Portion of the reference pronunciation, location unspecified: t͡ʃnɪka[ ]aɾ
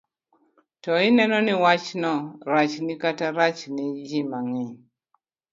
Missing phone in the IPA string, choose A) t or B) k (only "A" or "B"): A